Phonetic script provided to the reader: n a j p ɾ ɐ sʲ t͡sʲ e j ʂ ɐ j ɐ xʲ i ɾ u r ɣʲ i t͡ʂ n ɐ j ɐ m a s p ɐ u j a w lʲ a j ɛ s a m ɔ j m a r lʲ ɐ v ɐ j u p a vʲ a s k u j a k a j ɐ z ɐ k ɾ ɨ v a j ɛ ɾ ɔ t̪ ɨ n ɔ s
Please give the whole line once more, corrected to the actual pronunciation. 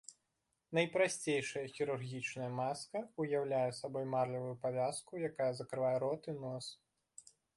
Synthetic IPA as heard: n ɐ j p ɾ a sʲ t͡sʲ e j ʂ ɐ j ɐ xʲ i ɾ u r ɣʲ i t͡ʂ n ɐ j ɐ m a s k ɐ u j a w lʲ a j ɛ s a b ɔ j m a r lʲ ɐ v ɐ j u p a vʲ a s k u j a k a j ɐ z ɐ k ɾ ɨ v a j ɛ ɾ ɔ t̪ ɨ n ɔ s